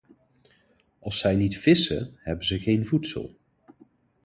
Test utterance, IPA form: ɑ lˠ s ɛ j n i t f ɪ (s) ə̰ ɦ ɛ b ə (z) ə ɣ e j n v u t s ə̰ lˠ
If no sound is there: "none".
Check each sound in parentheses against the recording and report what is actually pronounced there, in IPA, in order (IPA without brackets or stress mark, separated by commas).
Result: s, z